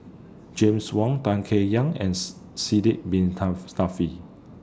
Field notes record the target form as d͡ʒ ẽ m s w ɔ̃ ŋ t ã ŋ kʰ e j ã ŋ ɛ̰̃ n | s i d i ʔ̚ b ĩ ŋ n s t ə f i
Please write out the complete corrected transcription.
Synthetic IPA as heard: d͡ʒ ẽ m s w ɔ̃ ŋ t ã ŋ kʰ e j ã ŋ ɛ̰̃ n | s i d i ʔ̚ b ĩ n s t a f i